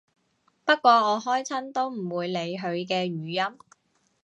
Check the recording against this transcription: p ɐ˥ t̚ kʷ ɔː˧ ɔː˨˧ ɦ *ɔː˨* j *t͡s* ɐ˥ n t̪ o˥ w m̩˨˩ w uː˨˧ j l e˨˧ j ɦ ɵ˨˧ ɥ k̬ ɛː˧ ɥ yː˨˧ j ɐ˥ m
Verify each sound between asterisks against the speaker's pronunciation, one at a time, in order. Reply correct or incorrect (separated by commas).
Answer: incorrect, incorrect